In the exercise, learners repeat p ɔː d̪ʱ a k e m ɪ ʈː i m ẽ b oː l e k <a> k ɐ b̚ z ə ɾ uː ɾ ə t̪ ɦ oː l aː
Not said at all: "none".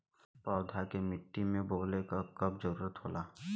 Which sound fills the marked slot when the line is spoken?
a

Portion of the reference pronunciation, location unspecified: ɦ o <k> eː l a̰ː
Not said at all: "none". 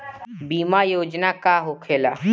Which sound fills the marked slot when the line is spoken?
kʰ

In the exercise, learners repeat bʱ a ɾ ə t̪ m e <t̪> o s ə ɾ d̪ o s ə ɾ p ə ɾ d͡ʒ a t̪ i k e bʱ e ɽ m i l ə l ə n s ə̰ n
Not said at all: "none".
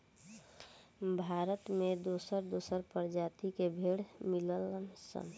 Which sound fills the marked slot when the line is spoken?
d̪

